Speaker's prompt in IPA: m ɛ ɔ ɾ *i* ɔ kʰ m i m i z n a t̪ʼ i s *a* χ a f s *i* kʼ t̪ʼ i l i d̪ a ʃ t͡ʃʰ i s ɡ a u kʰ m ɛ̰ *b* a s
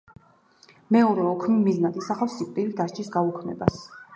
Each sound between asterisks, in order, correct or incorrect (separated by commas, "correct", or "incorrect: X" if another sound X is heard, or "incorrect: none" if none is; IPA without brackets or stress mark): incorrect: ɛ, correct, correct, correct